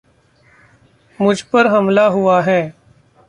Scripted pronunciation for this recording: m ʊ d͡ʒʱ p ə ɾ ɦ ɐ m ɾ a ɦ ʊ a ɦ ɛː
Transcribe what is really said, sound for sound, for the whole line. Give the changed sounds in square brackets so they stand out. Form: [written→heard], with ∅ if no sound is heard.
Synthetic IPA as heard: m ʊ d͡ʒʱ p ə ɾ ɦ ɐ m [ɾ→l] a ɦ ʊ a ɦ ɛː